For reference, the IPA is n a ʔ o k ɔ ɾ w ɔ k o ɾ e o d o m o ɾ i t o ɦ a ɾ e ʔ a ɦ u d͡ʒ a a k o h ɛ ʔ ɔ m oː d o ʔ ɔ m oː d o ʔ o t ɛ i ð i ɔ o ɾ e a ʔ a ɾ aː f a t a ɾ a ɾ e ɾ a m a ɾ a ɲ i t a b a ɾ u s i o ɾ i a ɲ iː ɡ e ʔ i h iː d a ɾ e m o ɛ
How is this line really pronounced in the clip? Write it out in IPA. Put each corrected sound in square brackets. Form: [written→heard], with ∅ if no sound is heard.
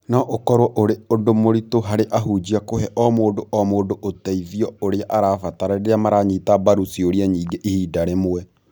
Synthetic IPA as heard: n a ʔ o k ɔ ɾ w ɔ [k→ʔ] o ɾ e o d o m o ɾ i t o ɦ a ɾ e ʔ a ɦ u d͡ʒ [a→i] a k o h ɛ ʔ ɔ m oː d o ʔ ɔ m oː d o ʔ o t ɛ i ð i ɔ o ɾ e a ʔ a ɾ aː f a t a ɾ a ɾ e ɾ a m a ɾ a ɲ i t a b a ɾ u s i o ɾ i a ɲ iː ɡ e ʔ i h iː d a ɾ e m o ɛ